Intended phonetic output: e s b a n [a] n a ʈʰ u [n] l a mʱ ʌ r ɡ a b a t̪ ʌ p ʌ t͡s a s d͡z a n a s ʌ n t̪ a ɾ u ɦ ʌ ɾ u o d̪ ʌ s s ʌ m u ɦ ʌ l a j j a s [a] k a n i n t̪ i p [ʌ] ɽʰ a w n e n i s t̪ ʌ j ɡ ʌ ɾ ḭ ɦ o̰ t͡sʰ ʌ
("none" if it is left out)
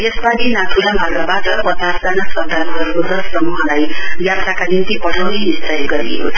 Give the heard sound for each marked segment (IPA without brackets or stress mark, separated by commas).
i, none, a, ʌ